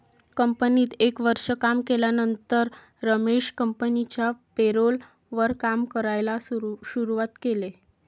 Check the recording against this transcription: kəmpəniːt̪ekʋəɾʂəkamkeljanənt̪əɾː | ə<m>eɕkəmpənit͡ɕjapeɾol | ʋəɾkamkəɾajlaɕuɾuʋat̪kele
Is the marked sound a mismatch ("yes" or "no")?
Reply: no